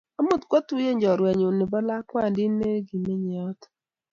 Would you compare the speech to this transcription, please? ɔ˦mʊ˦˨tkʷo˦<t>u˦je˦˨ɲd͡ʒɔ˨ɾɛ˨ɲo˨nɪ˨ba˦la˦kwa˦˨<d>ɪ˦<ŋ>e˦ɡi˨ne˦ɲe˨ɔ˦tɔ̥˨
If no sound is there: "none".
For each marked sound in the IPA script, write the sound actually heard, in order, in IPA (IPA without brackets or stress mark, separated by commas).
t, d, n